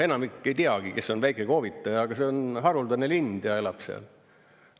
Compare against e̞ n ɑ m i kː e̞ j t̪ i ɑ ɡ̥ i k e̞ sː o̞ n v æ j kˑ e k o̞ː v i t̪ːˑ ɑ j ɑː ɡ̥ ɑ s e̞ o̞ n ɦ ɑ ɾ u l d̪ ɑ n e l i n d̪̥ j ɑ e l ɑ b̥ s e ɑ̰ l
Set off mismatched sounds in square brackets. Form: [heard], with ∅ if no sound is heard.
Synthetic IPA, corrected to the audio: e̞ n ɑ m i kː e̞ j t̪ i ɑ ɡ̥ i k e̞ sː o̞ n v æ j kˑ e k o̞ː v i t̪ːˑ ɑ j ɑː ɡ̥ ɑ s e̞ o̞ n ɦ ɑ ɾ u l d̪ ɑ n e l i n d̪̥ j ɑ e l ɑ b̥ s e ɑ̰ l